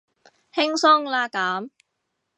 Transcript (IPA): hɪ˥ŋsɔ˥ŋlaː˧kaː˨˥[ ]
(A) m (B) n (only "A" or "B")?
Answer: A